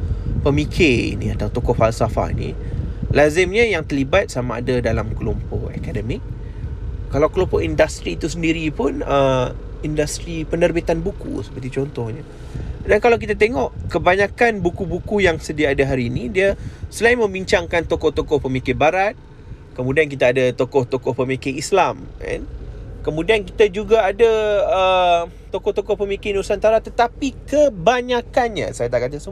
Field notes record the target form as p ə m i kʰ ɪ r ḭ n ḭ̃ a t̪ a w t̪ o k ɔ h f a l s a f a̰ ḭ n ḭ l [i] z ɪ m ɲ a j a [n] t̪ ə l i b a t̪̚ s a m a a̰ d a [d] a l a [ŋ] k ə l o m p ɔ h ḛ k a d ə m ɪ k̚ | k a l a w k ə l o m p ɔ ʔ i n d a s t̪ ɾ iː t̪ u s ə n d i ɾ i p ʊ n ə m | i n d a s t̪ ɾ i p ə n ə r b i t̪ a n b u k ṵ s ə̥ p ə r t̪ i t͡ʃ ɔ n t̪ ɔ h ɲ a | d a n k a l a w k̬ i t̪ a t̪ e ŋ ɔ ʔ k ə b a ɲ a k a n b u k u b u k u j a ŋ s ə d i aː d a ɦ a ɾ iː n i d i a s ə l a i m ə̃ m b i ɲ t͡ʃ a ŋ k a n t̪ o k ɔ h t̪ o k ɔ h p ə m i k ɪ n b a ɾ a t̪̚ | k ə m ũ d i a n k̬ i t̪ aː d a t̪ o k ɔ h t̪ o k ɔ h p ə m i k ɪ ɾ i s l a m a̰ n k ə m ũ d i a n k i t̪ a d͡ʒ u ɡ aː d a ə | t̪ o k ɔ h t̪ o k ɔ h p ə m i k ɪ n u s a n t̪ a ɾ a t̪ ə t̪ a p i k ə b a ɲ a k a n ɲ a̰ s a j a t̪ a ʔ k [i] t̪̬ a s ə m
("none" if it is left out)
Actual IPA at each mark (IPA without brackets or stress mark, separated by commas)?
a, ŋ, d, m, a